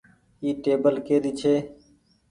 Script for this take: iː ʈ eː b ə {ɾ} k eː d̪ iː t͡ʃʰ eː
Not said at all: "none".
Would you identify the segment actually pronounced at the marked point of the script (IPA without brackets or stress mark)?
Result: l